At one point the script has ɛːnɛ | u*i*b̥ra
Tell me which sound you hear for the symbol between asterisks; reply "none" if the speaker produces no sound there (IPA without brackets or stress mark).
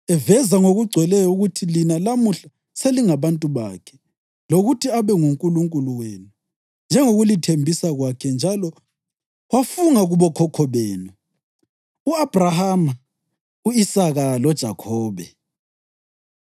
a